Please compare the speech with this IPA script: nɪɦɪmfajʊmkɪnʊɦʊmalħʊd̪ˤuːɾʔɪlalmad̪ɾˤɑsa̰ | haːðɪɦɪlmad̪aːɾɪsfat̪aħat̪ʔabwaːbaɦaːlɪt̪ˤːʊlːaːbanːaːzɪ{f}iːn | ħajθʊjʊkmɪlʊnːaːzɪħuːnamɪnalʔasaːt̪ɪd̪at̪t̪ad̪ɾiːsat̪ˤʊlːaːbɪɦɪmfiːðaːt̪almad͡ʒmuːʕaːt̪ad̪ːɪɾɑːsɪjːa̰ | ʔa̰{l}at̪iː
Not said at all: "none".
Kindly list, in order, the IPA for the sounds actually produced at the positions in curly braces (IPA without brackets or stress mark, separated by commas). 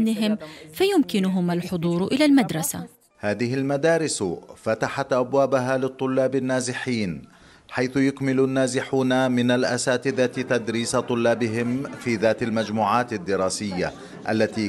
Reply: ħ, lː